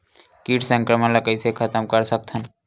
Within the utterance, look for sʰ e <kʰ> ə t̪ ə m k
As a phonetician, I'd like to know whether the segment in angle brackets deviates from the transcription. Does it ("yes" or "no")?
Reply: no